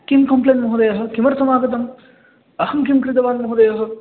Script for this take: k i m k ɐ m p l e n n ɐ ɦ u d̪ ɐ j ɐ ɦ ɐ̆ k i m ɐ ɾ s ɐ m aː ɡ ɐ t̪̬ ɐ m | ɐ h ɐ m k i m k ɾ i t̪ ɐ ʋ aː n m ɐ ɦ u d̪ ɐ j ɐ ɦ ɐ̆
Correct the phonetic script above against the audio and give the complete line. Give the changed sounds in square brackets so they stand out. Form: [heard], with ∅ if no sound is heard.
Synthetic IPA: k i m k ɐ m p l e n [m] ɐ ɦ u d̪ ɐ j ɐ ɦ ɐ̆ k i m ɐ ɾ s ɐ m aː ɡ ɐ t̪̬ ɐ m | ɐ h ɐ m k i m k ɾ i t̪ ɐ ʋ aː n m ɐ ɦ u d̪ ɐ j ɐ ɦ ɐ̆